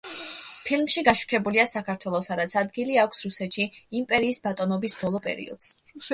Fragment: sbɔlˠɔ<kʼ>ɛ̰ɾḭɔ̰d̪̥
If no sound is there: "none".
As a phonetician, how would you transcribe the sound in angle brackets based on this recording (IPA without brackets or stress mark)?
pʼ